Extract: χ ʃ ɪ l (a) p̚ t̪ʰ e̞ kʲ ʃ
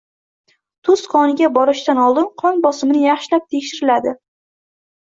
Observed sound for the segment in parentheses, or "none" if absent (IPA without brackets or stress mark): a